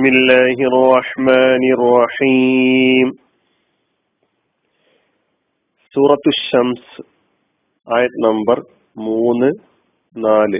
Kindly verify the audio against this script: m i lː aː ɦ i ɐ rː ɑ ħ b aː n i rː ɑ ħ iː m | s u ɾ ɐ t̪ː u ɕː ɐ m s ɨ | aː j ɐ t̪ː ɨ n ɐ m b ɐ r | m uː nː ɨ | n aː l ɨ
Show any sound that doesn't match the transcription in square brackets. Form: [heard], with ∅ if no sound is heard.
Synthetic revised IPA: m i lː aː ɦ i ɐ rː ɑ ħ [m] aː n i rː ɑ ħ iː m | s [uː] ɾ ɐ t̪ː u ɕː ɐ m s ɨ | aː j ɐ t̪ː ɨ n ɐ m b ɐ r | m uː nː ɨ | n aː l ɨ